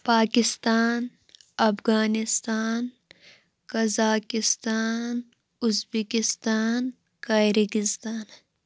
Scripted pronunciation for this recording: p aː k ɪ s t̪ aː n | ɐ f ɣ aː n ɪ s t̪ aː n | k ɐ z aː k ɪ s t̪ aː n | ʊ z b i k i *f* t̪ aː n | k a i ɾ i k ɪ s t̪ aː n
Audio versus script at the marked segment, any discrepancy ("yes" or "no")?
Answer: yes